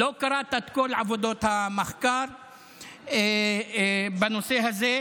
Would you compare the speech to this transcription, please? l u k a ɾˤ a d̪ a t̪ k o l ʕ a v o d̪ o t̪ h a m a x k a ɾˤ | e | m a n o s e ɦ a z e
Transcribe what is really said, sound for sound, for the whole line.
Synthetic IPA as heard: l o k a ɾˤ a t̪ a t̪ k o l ʕ a v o d̪ o t̪ h a m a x k a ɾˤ | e | b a n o s e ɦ a z e